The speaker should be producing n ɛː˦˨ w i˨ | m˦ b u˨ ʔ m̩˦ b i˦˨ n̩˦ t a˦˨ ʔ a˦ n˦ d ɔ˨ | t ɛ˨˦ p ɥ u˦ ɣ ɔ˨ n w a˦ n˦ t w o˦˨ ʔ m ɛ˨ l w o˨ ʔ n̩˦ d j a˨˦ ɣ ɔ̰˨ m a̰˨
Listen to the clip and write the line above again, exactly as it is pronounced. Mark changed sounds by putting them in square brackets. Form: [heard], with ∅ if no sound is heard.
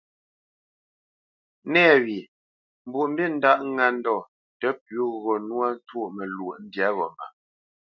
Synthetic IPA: n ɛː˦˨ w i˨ | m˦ b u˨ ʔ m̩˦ b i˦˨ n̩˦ [d] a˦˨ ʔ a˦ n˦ d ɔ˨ | t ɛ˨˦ p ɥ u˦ ɣ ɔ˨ n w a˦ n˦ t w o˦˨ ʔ m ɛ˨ l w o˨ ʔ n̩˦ d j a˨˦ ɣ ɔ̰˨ m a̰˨